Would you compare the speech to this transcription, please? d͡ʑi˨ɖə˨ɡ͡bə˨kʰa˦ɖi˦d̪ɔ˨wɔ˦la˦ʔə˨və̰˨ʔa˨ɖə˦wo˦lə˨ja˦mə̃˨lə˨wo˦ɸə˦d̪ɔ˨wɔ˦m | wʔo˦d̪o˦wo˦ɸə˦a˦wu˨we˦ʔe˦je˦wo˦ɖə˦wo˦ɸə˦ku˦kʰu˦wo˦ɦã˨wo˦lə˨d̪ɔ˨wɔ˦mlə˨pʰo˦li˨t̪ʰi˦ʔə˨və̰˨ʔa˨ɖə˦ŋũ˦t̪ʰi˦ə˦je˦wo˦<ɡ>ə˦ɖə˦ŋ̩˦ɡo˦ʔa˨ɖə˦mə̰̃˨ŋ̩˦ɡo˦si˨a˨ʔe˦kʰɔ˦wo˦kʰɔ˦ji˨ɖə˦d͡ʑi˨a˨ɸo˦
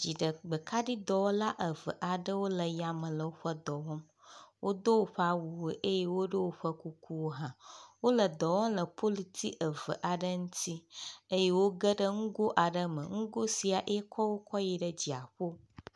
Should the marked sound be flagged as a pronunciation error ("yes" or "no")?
no